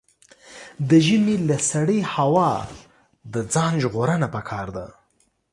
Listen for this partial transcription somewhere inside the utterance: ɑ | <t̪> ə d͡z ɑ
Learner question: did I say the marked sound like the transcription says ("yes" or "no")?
no